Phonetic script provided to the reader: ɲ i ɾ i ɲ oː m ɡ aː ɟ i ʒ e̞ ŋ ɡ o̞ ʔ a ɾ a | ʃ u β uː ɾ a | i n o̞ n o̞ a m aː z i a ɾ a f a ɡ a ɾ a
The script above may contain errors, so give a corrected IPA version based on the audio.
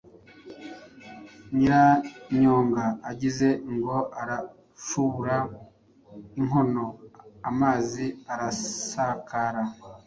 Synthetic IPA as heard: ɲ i ɾ a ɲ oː ŋ ɡ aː ɟ i z e̞ ŋ ɡ o̞ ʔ a ɾ a | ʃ u β u ɾ a | i ŋ o̞ n o̞ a m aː z i a ɾ a s a k a ɾ a